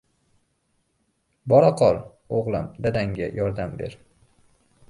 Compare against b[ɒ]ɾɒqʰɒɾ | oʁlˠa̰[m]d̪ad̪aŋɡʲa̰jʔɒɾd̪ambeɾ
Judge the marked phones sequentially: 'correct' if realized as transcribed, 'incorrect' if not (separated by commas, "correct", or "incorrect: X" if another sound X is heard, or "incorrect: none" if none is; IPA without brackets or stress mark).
correct, correct